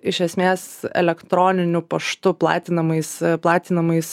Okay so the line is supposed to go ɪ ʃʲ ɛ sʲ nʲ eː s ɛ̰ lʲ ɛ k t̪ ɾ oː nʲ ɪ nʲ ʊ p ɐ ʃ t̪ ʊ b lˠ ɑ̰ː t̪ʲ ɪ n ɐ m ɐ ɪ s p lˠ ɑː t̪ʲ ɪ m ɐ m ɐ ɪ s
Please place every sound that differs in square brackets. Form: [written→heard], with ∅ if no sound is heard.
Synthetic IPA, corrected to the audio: ɪ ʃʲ ɛ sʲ [nʲ→mʲ] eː s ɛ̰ lʲ ɛ k t̪ ɾ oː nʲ ɪ nʲ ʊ p ɐ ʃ t̪ ʊ [b→p] lˠ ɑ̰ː t̪ʲ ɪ n ɐ m ɐ ɪ s p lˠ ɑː t̪ʲ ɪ [m→n] ɐ m ɐ ɪ s